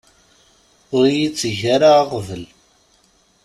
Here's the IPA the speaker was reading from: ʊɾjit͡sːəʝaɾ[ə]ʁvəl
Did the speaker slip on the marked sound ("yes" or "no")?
yes